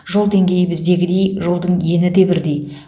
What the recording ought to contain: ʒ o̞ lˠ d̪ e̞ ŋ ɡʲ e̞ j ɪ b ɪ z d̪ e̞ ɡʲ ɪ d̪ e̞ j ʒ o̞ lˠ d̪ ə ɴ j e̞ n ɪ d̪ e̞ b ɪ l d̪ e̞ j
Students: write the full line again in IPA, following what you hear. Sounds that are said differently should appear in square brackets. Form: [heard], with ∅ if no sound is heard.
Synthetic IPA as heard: ʒ o̞ lˠ d̪ e̞ ŋ ɡʲ e̞ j ɪ b ɪ z d̪ e̞ ɡʲ ɪ d̪ e̞ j ʒ o̞ lˠ d̪ ə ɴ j e̞ n ɪ d̪ e̞ b ɪ [ɾ] d̪ e̞ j